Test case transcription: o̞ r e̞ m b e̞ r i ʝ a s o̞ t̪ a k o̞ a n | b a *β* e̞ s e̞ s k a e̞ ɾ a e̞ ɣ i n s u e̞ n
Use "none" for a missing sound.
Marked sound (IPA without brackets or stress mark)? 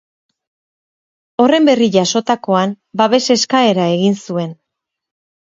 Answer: β